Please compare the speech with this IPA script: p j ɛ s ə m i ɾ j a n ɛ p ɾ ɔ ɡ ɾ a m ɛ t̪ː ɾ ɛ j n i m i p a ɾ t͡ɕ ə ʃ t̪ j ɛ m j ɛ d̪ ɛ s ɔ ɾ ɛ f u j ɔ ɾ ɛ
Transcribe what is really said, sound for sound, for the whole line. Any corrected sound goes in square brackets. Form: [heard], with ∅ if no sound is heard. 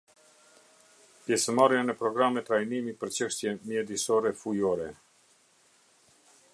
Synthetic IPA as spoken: p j ɛ s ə m [a] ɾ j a n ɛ p ɾ ɔ ɡ ɾ a m ɛ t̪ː ɾ [a] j n i m i p [ə] ɾ t͡ɕ ə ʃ t̪ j ɛ m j ɛ d̪ [i] s ɔ ɾ ɛ f u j ɔ ɾ ɛ